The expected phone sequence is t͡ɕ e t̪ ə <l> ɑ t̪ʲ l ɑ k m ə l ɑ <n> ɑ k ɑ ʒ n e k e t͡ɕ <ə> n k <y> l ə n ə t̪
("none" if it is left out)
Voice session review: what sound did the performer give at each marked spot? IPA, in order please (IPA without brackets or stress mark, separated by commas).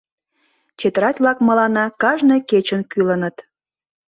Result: ɾ, n, ə, y